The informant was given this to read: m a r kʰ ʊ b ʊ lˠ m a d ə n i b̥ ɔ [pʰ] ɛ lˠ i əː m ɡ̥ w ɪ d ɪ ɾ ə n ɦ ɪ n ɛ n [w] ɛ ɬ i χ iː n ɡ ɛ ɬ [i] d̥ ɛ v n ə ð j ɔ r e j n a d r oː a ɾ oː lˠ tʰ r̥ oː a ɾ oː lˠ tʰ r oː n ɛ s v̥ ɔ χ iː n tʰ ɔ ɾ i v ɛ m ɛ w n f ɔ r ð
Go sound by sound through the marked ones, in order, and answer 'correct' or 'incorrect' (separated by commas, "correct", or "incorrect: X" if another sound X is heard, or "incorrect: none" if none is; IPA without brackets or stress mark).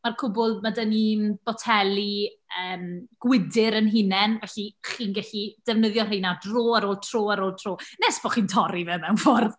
incorrect: tʰ, incorrect: v, correct